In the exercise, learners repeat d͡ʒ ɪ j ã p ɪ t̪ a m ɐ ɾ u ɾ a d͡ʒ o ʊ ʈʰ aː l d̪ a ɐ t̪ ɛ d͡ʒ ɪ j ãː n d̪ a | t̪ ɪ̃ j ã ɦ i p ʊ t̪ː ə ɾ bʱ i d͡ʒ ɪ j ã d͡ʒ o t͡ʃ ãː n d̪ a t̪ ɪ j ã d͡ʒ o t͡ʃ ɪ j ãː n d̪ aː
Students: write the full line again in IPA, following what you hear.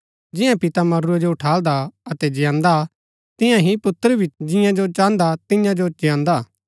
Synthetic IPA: d͡ʒ ɪ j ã p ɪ t̪ a m ɐ ɾ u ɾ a d͡ʒ o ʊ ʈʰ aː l d̪ a ɐ t̪ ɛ d͡ʒ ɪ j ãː n d̪ a | t̪ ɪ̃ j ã ɦ i p ʊ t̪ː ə ɾ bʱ i d͡ʒ ɪ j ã d͡ʒ o t͡ʃ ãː n d̪ a t̪ ɪ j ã d͡ʒ o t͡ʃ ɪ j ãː n d̪ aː